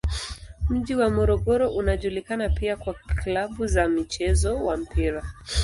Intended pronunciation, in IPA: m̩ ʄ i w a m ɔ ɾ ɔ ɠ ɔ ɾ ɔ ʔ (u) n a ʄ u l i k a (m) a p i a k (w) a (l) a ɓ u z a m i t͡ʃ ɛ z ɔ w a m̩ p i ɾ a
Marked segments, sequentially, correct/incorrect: correct, incorrect: n, correct, correct

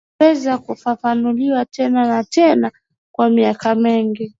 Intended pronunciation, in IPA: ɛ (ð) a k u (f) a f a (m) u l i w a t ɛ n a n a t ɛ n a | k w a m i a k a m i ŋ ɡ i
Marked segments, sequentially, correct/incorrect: incorrect: z, correct, incorrect: n

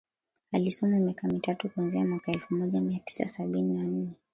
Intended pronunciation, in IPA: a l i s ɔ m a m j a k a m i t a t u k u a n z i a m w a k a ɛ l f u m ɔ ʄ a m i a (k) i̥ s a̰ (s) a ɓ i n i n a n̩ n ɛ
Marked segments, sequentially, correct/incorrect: incorrect: t, correct

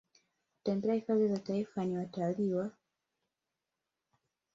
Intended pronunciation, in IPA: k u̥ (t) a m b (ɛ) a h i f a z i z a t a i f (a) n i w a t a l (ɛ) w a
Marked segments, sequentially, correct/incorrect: correct, correct, correct, incorrect: i

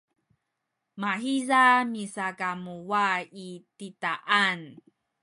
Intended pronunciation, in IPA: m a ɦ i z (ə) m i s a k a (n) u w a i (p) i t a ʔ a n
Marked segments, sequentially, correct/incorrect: incorrect: a, incorrect: m, incorrect: t

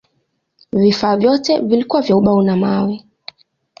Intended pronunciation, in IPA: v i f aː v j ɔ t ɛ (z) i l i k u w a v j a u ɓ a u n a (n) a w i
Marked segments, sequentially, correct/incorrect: incorrect: v, incorrect: m

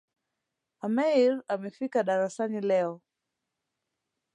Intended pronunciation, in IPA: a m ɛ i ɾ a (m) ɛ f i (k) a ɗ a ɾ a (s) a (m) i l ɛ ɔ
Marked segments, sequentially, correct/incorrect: correct, correct, correct, incorrect: n

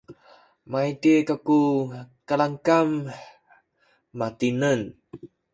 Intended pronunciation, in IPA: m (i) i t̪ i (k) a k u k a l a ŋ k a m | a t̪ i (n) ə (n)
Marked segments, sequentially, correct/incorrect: incorrect: a, correct, correct, correct

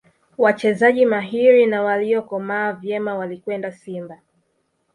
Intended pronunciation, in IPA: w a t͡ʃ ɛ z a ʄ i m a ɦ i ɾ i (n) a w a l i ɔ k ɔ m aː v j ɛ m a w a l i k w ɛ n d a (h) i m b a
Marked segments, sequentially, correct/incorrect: correct, incorrect: s

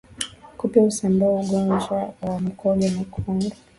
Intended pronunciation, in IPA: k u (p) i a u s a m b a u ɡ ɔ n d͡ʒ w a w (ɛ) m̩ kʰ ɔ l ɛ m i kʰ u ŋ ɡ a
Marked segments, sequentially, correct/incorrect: correct, incorrect: a

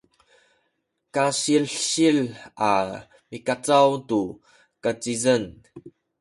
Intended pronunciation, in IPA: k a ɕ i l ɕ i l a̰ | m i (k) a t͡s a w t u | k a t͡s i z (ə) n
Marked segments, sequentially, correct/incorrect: correct, correct

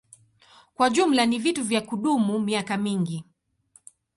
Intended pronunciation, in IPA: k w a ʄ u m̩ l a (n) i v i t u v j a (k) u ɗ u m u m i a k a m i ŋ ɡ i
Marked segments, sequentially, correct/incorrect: correct, correct

